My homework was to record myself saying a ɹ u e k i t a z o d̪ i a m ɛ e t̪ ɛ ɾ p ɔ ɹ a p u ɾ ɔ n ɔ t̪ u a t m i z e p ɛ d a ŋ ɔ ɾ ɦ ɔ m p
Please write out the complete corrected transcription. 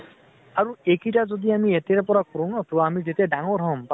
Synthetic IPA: a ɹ u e k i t a z o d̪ i a m i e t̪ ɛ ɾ p ɔ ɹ a k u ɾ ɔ n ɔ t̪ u a m i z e t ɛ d a ŋ ɔ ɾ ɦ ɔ m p